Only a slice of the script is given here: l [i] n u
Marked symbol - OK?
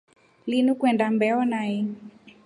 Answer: yes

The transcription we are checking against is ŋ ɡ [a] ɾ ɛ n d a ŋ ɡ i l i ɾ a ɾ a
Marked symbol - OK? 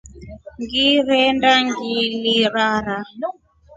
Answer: no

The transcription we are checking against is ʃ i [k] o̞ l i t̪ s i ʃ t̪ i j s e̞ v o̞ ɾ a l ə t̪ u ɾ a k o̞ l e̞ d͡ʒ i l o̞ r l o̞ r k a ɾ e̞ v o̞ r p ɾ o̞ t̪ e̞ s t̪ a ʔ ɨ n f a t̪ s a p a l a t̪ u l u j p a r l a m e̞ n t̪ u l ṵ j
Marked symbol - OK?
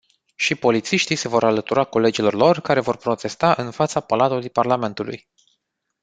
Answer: no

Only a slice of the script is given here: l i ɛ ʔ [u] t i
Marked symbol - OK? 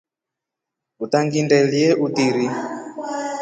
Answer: yes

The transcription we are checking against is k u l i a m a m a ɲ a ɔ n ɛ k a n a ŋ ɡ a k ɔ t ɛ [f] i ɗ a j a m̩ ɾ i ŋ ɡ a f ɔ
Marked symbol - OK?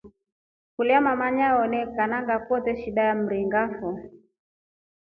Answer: no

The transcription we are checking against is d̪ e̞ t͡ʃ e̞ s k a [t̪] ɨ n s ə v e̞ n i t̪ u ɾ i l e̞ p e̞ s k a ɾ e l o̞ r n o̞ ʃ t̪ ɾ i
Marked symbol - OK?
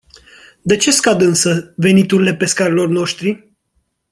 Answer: no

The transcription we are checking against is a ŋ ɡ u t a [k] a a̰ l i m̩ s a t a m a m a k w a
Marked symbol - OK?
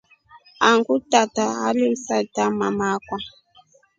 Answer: no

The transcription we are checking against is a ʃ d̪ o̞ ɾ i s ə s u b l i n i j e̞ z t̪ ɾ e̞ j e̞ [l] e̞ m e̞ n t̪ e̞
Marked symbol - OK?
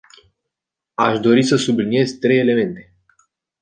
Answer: yes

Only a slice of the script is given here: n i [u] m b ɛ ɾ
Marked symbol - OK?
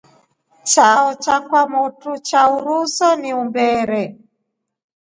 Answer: yes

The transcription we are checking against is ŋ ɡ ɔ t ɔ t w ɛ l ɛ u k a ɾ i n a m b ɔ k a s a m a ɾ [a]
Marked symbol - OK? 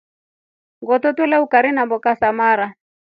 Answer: yes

